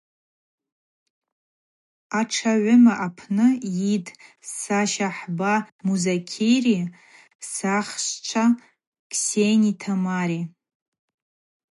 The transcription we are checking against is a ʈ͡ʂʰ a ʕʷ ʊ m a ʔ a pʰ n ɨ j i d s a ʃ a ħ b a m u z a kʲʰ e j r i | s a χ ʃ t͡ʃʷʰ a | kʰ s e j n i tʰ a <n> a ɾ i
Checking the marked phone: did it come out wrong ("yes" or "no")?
yes